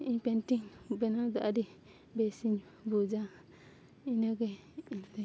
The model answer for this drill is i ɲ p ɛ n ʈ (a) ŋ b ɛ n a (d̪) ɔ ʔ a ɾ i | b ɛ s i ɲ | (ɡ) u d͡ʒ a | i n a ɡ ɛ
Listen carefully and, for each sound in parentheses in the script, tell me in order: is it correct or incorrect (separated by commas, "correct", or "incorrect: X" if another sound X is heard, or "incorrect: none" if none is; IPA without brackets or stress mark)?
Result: incorrect: i, correct, incorrect: b